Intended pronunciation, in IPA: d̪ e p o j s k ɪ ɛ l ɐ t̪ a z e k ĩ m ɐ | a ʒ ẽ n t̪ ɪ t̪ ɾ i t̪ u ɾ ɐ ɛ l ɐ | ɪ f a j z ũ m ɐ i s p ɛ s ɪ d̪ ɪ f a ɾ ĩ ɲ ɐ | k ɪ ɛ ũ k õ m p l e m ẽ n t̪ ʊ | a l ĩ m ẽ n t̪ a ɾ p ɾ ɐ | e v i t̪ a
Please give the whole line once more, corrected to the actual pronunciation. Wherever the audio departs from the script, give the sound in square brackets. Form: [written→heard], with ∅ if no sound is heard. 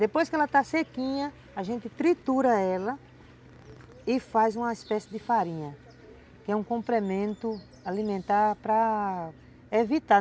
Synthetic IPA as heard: d̪ e p o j s k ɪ ɛ l ɐ t̪ a [z→s] e k ĩ [m→ɲ] ɐ | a ʒ ẽ n t̪ ɪ t̪ ɾ i t̪ u ɾ ɐ ɛ l ɐ | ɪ f a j z ũ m ɐ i s p ɛ s ɪ d̪ ɪ f a ɾ ĩ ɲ ɐ | k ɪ ɛ ũ k õ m p l e m ẽ n t̪ ʊ | a l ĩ m ẽ n t̪ a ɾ p ɾ ɐ | e v i t̪ a